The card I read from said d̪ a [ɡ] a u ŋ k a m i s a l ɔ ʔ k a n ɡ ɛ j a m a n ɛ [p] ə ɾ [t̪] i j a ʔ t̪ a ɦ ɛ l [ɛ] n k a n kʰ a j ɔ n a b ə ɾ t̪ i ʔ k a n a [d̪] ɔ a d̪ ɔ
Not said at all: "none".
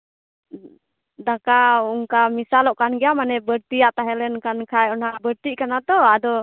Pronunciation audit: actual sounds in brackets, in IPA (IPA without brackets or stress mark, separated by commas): k, b, t̪, ɛ, t̪